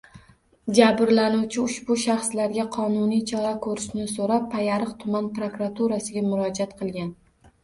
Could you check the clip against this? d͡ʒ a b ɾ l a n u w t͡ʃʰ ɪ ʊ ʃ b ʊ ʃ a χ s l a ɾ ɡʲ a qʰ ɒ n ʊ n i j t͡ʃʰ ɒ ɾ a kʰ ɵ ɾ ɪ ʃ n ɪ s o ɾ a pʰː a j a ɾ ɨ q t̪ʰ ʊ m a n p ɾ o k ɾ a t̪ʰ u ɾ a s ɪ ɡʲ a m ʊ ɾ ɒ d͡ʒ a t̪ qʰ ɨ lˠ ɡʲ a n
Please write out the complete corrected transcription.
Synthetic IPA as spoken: d͡ʒ a b ɾ l a n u w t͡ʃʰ ɪ ʊ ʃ b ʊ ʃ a χ s l a ɾ ɡʲ a qʰ ɒ n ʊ n i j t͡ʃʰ ɒ ɾ a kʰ ɵ ɾ ɪ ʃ n ɪ s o ɾ a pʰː a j a ɾ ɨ q t̪ʰ ʊ m a n p ɾ o k ɾ a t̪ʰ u ɾ a s ɪ ɡʲ a m ʊ ɾ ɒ d͡ʒ a t̪ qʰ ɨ lˠ ɡʲ a n